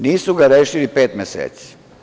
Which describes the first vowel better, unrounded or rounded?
unrounded